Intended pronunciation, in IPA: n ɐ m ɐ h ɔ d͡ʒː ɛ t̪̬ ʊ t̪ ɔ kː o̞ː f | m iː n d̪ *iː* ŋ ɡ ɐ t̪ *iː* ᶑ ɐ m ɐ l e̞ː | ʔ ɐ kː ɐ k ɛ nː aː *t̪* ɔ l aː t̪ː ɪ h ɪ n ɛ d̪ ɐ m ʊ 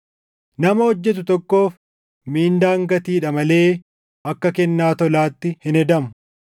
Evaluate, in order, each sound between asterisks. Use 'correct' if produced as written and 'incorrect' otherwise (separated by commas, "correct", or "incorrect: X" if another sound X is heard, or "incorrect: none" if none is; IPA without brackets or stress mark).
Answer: incorrect: aː, correct, correct